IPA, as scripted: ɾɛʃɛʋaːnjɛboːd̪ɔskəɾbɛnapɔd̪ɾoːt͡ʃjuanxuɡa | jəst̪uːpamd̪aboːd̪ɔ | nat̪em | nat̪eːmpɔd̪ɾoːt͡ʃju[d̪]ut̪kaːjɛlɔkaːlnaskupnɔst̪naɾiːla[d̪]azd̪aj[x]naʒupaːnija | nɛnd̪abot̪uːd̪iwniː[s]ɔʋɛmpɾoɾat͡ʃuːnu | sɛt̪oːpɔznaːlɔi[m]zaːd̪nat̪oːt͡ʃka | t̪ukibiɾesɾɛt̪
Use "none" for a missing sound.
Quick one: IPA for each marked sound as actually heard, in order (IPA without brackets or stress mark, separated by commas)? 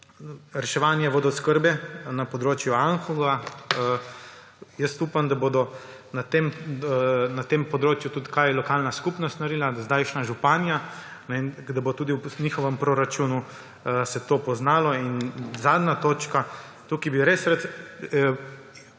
t̪, d̪, ʃ, x, n